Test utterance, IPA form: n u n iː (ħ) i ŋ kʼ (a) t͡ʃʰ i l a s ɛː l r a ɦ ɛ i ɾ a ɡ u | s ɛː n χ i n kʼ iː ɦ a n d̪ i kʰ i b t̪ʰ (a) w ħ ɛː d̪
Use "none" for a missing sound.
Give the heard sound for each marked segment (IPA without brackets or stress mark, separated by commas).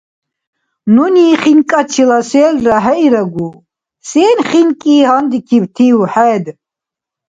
χ, a, i